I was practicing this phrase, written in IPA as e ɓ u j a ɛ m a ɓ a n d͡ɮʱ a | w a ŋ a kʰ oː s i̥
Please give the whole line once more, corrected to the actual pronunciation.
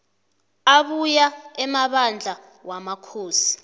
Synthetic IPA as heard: a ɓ u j a ɛ m a ɓ a n d͡ɮʱ a | w a m a kʰ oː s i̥